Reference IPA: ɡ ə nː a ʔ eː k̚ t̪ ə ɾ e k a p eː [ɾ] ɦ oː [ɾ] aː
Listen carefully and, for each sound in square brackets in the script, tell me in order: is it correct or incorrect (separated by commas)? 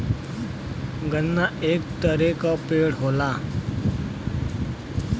incorrect, incorrect